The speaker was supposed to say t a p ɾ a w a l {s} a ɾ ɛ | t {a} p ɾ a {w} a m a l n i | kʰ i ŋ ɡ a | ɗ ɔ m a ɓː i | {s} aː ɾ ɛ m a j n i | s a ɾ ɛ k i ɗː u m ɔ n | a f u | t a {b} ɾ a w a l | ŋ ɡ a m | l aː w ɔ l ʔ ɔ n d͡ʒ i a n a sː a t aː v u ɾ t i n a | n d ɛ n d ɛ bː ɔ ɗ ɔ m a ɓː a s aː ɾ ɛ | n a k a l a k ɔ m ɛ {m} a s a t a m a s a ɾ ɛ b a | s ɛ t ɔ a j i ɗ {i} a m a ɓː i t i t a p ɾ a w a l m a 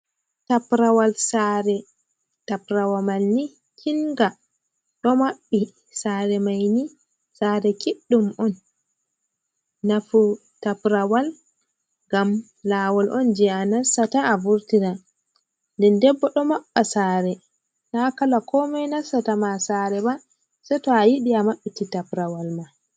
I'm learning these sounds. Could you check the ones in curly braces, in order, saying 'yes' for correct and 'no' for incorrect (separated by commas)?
yes, yes, yes, yes, no, no, yes